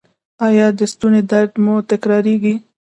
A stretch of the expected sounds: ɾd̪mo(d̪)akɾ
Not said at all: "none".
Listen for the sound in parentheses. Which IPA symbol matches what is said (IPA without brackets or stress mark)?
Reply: t̪